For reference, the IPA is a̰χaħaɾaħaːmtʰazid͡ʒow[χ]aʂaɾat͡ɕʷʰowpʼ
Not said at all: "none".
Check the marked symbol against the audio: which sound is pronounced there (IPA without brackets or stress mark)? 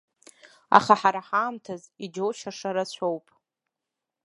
ʃ